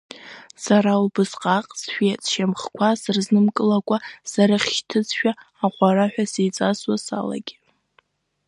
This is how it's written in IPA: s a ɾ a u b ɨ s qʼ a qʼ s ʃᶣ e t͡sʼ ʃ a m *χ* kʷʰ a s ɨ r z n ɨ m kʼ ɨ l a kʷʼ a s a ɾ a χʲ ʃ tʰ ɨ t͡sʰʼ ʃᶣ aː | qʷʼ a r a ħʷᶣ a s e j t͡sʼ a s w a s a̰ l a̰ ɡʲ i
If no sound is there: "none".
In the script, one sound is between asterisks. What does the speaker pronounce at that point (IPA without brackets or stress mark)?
χ